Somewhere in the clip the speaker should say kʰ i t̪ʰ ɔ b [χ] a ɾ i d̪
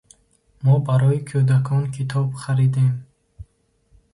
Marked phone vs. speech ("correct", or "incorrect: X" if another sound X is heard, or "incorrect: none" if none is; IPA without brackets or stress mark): correct